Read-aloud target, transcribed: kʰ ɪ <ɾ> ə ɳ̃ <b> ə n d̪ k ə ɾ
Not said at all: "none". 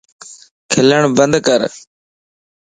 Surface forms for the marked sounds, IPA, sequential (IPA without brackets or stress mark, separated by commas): l, b